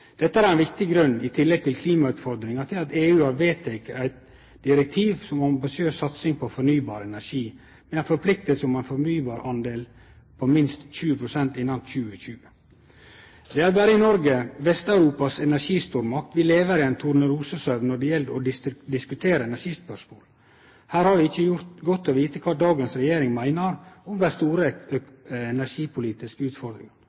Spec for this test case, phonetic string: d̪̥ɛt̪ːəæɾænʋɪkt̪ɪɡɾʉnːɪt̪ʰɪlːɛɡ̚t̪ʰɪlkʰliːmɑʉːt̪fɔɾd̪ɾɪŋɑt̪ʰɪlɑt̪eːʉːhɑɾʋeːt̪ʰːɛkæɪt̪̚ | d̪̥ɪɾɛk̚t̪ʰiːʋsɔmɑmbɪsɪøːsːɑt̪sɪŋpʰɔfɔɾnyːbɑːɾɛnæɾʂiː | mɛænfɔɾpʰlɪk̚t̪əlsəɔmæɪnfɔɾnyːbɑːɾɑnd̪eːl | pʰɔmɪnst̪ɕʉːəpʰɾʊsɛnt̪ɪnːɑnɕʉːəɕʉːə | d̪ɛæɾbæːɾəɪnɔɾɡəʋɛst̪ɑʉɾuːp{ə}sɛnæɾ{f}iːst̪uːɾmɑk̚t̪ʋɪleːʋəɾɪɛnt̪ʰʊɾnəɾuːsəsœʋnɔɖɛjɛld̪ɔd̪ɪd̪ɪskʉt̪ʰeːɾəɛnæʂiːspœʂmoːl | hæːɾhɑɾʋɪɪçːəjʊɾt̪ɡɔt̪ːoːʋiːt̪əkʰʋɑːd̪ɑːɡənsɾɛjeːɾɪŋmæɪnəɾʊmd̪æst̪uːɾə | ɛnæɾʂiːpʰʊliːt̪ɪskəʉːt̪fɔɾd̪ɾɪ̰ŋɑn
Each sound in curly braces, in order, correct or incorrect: incorrect, incorrect

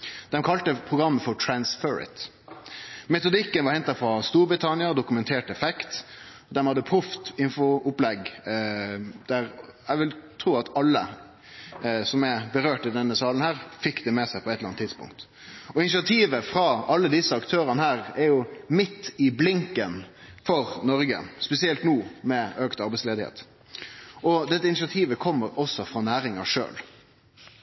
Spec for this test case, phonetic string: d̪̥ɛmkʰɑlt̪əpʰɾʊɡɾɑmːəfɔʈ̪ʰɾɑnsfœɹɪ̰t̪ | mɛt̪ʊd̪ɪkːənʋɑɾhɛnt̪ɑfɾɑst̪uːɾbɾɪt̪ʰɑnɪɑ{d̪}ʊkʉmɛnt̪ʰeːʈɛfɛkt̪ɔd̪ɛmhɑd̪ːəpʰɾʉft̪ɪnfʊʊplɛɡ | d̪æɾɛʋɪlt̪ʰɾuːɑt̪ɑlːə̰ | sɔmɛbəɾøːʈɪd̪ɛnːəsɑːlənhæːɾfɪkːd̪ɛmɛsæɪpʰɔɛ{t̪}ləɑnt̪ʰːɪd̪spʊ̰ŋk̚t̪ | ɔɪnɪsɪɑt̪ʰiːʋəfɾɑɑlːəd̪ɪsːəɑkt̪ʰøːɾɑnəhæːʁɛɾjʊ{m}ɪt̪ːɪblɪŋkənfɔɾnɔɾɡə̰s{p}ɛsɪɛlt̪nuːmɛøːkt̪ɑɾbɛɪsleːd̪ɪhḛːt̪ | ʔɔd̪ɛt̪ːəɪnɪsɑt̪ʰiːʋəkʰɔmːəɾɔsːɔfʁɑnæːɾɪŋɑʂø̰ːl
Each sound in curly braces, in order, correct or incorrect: correct, correct, correct, correct

